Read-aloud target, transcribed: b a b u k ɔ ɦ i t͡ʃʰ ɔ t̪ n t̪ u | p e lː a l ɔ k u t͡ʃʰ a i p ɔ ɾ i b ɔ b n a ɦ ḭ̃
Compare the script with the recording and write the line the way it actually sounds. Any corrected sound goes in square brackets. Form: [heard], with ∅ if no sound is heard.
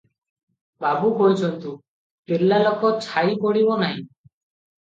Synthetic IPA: b a b u k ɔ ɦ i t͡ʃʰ ɔ [∅] n t̪ u | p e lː a l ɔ k [ɔ] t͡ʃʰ a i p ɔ [ɽ] i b ɔ [∅] n a ɦ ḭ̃

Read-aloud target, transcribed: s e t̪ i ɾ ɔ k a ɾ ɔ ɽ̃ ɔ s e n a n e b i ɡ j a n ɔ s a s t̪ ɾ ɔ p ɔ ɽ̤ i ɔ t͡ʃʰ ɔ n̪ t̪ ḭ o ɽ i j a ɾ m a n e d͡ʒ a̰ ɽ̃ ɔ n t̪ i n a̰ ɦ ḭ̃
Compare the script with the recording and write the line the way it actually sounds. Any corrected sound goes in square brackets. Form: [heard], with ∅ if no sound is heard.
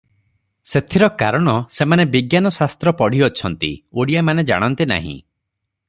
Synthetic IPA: s e [t̪ʰ] i ɾ ɔ k a ɾ ɔ ɽ̃ ɔ s e [m] a n e b i ɡ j a n ɔ s a s t̪ ɾ ɔ p ɔ ɽ̤ i ɔ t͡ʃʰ ɔ n̪ t̪ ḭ o ɽ i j a [∅] m a n e d͡ʒ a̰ ɽ̃ ɔ n t̪ i n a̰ ɦ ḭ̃

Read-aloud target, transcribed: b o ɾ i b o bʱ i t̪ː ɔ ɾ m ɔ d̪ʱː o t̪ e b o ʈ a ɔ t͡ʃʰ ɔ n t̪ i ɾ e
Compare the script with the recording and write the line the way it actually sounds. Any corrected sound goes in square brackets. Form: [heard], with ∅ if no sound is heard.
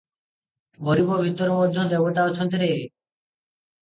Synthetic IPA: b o ɾ i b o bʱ i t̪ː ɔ ɾ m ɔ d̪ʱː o [d̪] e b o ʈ a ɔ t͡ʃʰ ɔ n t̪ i ɾ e

